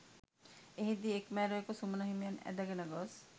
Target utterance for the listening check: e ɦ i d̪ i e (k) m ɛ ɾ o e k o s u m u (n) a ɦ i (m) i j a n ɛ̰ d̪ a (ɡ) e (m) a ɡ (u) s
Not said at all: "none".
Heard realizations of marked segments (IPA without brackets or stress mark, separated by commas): k, n, m, ɡ, n, ɔ